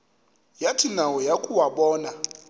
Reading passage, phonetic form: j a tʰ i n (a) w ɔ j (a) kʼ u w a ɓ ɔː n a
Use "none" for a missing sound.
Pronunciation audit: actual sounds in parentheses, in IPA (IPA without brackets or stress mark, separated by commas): a, a